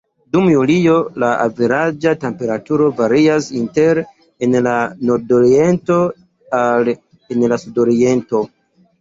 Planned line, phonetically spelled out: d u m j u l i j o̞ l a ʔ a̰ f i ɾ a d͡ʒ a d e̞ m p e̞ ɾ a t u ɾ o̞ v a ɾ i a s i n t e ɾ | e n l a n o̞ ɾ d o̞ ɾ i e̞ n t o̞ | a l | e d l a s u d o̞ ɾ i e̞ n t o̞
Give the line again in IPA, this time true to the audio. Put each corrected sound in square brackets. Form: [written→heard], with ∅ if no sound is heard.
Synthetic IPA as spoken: d u m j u l i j o̞ l a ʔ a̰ [f→v] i ɾ a d͡ʒ a [d→t] e̞ m p e̞ ɾ a t u ɾ o̞ v a ɾ i a s i n t e ɾ | e n l a n o̞ ɾ d o̞ ɾ i e̞ n t o̞ | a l | e [d→n] l a s u d o̞ ɾ i e̞ n t o̞